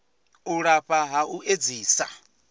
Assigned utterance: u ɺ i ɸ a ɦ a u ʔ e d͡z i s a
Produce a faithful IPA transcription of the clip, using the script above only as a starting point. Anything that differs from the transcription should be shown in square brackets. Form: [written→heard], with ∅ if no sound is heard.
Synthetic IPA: u ɺ [i→a] ɸ a ɦ a u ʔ e d͡z [i→iː] s a